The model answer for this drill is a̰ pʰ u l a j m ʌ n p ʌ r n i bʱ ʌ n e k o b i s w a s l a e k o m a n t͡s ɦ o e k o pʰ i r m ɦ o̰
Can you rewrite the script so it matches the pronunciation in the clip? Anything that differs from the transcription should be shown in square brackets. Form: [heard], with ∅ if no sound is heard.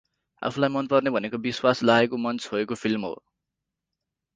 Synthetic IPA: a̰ pʰ u l a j m ʌ n p ʌ r n [e] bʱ ʌ n e k o b i s w a s l a e k o m [ʌ] n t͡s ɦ o e k o pʰ i [l] m ɦ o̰